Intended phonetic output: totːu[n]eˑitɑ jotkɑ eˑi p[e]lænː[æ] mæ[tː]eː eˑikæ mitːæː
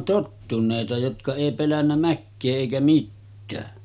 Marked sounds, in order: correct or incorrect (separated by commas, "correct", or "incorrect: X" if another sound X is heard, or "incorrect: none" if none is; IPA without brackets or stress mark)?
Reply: correct, correct, correct, incorrect: kː